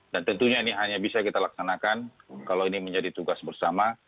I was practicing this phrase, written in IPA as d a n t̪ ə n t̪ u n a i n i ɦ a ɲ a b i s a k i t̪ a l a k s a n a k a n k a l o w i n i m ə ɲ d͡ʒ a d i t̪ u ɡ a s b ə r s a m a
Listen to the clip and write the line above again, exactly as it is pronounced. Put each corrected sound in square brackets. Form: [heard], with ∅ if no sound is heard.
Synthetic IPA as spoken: d a n t̪ ə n t̪ u [ɲ] a i n i ɦ a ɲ a b i s a k i t̪ a l a k s a n a k a n k a l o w i n i m ə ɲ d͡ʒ a d i t̪ u ɡ a s b ə r s a m a